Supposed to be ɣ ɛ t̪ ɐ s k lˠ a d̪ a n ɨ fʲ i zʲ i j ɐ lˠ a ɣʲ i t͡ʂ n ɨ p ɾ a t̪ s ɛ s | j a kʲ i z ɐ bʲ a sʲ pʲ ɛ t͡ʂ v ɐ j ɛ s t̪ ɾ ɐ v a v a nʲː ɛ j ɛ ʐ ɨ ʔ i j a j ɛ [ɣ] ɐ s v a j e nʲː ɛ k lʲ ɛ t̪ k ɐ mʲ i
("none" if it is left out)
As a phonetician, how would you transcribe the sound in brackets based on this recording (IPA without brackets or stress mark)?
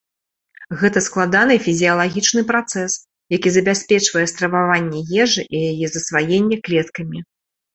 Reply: z